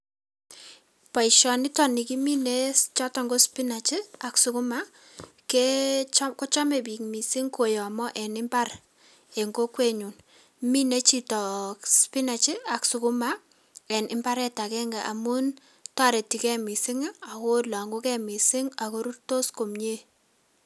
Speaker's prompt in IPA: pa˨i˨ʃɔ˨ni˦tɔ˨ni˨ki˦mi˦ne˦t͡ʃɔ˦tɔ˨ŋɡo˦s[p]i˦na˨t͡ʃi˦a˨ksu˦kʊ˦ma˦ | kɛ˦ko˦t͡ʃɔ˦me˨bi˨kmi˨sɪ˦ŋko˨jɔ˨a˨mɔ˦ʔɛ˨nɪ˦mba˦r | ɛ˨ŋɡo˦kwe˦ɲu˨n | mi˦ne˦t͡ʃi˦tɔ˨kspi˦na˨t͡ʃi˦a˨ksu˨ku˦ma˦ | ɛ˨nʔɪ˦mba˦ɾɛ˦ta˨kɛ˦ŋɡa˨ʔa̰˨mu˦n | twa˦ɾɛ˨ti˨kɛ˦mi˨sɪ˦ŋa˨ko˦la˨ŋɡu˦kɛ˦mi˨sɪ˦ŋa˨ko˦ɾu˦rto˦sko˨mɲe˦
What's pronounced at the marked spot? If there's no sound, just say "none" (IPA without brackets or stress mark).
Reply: p